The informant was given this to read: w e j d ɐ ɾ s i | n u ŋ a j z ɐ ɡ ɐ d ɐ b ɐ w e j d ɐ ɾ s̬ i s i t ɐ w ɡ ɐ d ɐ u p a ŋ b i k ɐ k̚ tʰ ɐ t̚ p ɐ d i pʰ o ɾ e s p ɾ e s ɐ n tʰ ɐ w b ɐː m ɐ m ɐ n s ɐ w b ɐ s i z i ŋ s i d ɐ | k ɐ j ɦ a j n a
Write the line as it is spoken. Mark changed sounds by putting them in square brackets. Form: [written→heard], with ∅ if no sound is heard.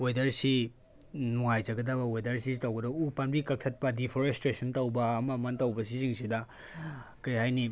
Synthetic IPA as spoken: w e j d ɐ ɾ s i | n u ŋ a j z ɐ ɡ ɐ d ɐ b ɐ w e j d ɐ ɾ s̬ i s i t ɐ w ɡ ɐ d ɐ u p a [ŋ→n] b i k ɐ k̚ tʰ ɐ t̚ p ɐ d i pʰ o ɾ e s [p→t] ɾ e s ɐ n [tʰ→t] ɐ w b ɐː m ɐ m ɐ n [s→t] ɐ w b ɐ s i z i ŋ s i d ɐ | k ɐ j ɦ a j n [a→i]